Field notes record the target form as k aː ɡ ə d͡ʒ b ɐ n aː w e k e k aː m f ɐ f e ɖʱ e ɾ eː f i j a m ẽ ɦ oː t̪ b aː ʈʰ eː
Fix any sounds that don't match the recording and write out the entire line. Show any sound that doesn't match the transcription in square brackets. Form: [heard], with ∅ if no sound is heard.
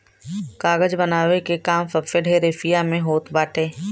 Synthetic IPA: k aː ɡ ə d͡ʒ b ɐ n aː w e k e k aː m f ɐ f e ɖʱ e ɾ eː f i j a m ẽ ɦ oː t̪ b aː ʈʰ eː

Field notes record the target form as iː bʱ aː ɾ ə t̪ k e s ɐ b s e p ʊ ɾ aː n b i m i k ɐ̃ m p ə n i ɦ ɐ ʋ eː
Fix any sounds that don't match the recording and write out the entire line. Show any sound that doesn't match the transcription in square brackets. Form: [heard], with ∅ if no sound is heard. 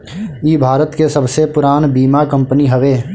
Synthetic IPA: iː bʱ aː ɾ ə t̪ k e s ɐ b s e p ʊ ɾ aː n b [iː] m [a] k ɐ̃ m p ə n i ɦ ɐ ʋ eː

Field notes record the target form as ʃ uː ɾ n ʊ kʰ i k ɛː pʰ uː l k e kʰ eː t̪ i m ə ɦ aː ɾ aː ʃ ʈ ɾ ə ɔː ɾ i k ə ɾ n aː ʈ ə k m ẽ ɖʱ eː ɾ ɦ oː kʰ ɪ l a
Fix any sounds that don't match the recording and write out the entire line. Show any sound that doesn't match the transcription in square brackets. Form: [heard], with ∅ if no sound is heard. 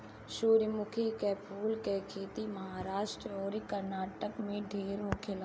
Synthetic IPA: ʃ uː ɾ [m] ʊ kʰ i k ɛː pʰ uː l k e kʰ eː t̪ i m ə ɦ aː ɾ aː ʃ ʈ ɾ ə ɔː ɾ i k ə ɾ n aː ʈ ə k m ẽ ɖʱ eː ɾ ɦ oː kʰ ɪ l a

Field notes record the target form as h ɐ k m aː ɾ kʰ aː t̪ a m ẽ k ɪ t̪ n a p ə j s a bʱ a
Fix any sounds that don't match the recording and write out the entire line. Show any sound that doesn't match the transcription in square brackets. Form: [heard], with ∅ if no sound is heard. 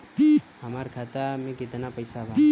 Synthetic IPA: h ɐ [∅] m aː ɾ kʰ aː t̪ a m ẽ k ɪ t̪ n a p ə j s a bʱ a

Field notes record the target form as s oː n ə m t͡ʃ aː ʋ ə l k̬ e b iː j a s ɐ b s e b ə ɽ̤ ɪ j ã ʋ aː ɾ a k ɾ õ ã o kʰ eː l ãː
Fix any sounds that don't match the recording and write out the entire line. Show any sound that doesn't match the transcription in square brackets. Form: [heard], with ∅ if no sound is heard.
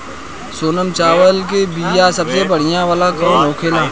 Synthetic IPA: s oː n ə m t͡ʃ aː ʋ ə l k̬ e b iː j a s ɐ b s e b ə ɽ̤ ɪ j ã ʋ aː [l] a k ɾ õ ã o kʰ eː l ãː

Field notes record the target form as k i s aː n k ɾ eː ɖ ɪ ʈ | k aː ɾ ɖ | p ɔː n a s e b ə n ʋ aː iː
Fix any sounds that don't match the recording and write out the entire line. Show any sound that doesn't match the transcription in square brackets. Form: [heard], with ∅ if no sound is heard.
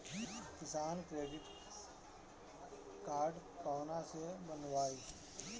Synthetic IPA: k [ɪ] s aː n k ɾ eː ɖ ɪ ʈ | k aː ɾ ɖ | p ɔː n a s e b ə n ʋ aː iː

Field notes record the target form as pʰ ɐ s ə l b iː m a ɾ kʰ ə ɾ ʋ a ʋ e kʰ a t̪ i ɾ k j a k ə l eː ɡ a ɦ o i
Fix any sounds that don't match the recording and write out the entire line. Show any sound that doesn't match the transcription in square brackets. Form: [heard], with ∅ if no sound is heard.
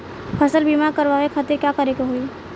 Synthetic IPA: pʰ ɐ s ə l b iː m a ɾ [k] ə ɾ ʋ a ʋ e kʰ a t̪ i ɾ k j a k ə [ɾ] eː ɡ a ɦ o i

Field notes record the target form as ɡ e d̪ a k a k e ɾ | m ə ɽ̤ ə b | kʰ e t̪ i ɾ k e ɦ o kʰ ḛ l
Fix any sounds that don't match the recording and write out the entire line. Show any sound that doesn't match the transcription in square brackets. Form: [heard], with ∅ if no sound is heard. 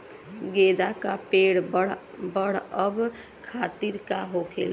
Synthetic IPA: ɡ e d̪ a k a [p] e [ɽ] | [b] ə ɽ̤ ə b | kʰ [a] t̪ i ɾ k [a] ɦ o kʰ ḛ l

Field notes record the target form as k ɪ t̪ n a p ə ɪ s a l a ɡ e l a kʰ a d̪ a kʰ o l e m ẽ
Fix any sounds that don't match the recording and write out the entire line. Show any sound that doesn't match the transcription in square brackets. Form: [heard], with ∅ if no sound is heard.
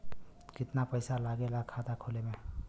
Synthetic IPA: k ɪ t̪ n a p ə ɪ s a l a ɡ e l a kʰ a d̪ a kʰ o l e m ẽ

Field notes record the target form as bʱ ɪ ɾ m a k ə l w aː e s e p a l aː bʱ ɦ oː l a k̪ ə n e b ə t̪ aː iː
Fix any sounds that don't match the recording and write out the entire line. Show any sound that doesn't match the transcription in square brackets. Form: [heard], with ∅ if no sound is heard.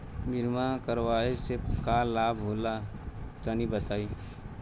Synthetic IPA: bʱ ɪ ɾ m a k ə [ɾ] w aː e s e [k] a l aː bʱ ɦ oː l a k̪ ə n [i] b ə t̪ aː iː

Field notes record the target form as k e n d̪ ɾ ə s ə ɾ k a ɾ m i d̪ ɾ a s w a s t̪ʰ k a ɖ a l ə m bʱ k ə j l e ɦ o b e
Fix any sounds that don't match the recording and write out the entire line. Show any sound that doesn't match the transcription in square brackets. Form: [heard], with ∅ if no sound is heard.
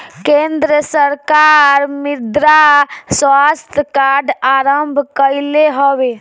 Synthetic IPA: k e n d̪ ɾ ə s ə ɾ k a ɾ m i d̪ ɾ a s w a s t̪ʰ k a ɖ a [ɾ] ə m bʱ k ə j l e ɦ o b e

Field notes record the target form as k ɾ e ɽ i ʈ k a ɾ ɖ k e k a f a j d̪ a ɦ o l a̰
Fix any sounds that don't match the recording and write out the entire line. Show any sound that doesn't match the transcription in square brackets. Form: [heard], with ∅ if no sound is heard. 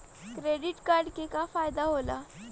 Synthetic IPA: k ɾ e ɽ i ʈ k a ɾ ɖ k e k a f a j d̪ a ɦ o l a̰

